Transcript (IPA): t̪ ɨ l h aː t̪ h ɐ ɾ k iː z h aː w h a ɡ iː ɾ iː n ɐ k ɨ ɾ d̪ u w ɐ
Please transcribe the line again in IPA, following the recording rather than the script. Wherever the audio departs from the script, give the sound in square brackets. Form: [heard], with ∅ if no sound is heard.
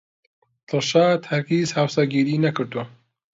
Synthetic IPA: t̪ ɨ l [ʃ] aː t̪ h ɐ ɾ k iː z h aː w [s] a ɡ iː ɾ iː n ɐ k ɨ ɾ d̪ u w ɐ